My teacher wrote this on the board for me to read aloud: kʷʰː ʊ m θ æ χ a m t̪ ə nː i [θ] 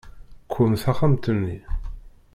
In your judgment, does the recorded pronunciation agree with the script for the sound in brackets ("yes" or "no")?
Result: no